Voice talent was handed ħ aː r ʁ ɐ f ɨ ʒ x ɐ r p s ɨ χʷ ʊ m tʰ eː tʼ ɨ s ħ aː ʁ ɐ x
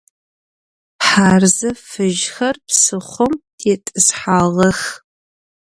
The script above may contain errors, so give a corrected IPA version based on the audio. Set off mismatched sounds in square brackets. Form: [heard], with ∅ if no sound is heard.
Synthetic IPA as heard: ħ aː r [z] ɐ f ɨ ʒ x ɐ r p s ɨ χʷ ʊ m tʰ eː tʼ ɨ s ħ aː ʁ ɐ x